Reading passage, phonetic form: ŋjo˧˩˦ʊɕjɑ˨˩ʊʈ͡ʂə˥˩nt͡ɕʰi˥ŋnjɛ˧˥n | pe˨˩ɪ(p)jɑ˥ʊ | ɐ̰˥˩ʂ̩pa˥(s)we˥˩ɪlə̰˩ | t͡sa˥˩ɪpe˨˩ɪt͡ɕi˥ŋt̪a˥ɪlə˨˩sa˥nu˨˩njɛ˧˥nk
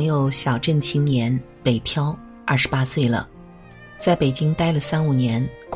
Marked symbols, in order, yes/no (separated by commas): no, yes